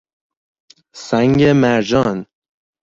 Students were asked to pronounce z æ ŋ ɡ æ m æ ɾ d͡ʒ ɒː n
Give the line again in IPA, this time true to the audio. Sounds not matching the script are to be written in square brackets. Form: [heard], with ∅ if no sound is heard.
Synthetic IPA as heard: [s] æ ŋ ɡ [e] m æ ɾ d͡ʒ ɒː n

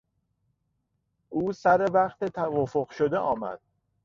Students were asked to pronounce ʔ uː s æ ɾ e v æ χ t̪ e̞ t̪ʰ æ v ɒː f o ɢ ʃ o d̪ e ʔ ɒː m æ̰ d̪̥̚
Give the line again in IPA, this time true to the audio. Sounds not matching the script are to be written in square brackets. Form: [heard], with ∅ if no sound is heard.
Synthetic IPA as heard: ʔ uː s æ ɾ e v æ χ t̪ e̞ t̪ʰ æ v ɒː f o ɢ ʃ o d̪ e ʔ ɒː m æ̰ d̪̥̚

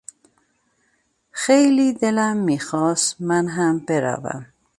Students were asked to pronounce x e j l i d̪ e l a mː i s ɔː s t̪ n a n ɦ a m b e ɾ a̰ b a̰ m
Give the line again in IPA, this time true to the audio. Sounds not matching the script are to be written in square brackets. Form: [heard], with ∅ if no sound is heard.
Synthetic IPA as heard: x e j l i d̪ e l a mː i [x] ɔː s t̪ [m] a n ɦ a m b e ɾ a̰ [v] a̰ m

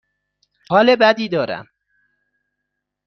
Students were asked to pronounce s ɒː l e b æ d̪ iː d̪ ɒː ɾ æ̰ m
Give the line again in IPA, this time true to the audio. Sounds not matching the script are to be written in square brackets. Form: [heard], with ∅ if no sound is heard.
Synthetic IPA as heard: [h] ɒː l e b æ d̪ iː d̪ ɒː ɾ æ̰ m

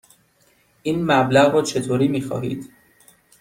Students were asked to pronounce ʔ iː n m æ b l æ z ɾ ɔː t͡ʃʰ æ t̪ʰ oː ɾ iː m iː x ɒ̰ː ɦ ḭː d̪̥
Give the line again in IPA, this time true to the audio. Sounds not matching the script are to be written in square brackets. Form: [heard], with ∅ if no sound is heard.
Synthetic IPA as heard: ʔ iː n m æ b l æ [ɣ] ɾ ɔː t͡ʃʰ [e] t̪ʰ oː ɾ iː m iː x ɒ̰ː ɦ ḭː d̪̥

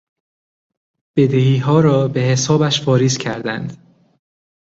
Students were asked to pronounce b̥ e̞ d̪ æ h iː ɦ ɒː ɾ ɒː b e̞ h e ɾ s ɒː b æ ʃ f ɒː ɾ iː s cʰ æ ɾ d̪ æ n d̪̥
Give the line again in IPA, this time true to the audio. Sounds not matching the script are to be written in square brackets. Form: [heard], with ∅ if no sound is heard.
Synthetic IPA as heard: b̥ e̞ d̪ [e] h iː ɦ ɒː ɾ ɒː b e̞ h e [∅] s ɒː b æ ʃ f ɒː ɾ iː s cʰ æ ɾ d̪ æ n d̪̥

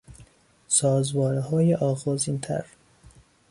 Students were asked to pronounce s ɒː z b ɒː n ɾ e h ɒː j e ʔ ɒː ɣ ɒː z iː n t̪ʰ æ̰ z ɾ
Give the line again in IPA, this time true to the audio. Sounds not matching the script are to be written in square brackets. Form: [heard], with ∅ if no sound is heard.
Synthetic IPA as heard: s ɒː z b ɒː [∅] ɾ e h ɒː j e ʔ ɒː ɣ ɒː z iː n t̪ʰ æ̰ [∅] ɾ

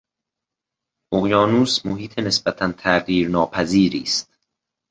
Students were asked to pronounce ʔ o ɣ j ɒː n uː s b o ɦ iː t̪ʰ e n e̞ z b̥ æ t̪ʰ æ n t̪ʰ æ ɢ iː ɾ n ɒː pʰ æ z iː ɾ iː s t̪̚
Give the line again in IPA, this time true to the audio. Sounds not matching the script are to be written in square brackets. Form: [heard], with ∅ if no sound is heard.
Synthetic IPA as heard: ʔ o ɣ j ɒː n uː s [m] o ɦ iː t̪ʰ e n e̞ [s] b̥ æ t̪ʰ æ n t̪ʰ æ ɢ iː ɾ n ɒː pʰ æ z iː ɾ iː s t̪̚

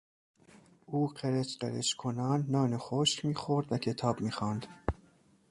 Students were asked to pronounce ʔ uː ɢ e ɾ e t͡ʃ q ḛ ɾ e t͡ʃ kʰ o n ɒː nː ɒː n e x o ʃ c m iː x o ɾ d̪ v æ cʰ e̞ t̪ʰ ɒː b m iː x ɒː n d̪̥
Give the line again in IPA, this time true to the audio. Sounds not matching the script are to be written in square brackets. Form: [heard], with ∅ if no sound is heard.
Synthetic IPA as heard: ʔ uː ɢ e ɾ e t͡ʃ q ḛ ɾ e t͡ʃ kʰ o n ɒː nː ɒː n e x o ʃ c m iː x o ɾ d̪ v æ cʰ e̞ t̪ʰ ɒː b m iː x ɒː n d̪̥

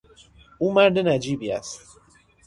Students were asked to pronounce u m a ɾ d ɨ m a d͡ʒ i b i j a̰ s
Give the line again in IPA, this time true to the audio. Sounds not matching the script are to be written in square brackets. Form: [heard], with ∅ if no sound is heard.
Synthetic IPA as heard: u m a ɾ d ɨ [n] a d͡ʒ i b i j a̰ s

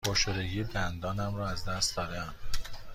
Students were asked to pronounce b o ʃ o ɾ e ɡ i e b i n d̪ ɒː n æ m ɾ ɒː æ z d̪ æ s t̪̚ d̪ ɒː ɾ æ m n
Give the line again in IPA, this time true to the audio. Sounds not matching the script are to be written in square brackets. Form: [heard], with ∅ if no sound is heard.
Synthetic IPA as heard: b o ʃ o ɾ e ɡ i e b [æ] n d̪ ɒː n æ m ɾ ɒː æ z d̪ æ s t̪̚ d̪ ɒː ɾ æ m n

